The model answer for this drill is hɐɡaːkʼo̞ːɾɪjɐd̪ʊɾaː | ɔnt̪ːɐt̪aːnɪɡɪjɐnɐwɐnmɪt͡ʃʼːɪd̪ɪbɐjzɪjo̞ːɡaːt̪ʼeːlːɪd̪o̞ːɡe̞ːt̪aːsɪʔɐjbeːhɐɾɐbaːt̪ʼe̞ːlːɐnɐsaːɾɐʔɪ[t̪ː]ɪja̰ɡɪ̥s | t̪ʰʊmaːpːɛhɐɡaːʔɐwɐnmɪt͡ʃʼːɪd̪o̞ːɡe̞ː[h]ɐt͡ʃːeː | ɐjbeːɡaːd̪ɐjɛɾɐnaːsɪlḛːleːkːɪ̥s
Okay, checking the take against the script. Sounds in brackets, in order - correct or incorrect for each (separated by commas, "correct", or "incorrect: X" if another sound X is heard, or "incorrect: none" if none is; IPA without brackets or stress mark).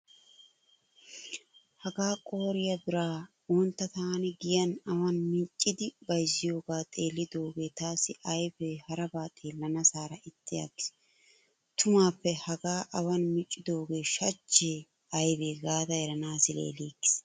correct, incorrect: ʃ